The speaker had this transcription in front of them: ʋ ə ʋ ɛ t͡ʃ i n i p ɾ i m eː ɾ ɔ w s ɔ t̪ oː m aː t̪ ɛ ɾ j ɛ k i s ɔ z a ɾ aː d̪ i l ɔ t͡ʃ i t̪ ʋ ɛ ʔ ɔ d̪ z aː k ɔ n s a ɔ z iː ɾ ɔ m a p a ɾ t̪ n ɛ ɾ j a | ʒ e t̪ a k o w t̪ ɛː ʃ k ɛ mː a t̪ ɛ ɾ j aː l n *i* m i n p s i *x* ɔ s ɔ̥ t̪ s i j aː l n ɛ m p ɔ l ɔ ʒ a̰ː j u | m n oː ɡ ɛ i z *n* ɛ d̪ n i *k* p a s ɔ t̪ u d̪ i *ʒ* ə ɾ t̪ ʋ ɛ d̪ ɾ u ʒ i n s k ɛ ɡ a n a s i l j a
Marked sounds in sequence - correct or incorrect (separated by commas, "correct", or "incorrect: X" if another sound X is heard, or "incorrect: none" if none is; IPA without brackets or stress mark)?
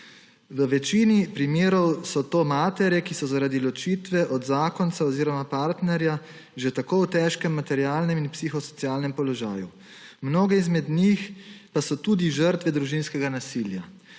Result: incorrect: ɛ, correct, incorrect: m, incorrect: x, correct